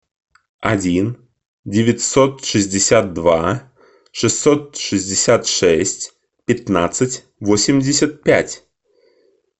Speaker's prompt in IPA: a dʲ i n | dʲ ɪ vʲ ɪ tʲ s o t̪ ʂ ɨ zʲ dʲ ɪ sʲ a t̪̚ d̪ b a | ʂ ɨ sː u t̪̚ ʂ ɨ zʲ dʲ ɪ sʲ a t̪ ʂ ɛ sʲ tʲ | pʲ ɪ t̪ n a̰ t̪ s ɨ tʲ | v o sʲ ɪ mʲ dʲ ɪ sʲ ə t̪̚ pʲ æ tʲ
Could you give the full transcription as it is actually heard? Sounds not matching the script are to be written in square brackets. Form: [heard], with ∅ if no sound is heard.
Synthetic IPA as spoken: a dʲ i n | dʲ ɪ vʲ ɪ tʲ s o t̪ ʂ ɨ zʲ dʲ ɪ sʲ a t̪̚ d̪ [v] a | ʂ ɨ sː [o] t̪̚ ʂ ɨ zʲ dʲ ɪ sʲ a t̪ ʂ ɛ sʲ tʲ | pʲ ɪ t̪ n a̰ t̪ s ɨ tʲ | v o sʲ ɪ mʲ dʲ ɪ sʲ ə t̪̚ pʲ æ tʲ